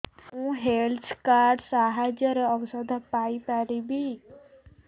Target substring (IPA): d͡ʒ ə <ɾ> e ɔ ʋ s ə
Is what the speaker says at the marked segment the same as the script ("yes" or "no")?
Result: yes